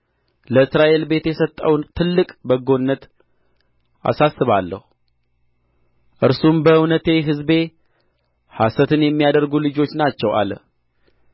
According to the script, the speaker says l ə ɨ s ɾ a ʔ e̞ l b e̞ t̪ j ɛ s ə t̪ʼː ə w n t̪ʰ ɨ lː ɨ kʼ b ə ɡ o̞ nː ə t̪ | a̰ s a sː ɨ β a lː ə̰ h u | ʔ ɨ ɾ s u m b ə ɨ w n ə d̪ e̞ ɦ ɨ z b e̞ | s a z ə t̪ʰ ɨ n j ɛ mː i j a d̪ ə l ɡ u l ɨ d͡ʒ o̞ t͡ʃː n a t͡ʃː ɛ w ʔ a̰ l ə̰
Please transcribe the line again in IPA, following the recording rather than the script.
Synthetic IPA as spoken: l ə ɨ s ɾ a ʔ e̞ l b e̞ t̪ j ɛ s ə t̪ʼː ə w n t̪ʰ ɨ lː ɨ kʼ b ə ɡ o̞ nː ə t̪ | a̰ s a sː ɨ β a lː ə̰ h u | ʔ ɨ ɾ s u m b ə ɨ w n ə t̪ e̞ ɦ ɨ z b e̞ | h a s ə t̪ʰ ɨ n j ɛ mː i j a d̪ ə ɾ ɡ u l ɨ d͡ʒ o̞ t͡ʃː n a t͡ʃː ɛ w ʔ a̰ l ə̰